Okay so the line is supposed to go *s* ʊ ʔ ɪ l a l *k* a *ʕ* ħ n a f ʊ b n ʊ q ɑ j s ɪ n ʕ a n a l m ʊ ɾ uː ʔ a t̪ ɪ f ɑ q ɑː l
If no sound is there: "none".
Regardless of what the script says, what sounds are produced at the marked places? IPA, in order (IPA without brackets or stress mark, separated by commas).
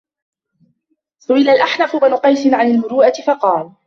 s, ʔ, none